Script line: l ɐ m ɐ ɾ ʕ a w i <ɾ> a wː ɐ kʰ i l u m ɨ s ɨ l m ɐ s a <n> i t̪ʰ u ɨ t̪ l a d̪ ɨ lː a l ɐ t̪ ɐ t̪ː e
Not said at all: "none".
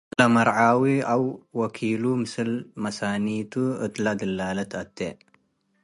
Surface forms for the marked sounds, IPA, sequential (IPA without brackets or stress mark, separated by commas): none, n